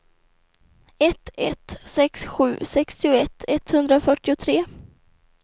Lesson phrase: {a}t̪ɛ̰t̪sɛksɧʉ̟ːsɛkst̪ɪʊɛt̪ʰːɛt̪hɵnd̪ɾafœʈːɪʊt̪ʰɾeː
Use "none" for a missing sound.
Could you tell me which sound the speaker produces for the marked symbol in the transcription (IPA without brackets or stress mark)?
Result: ɛ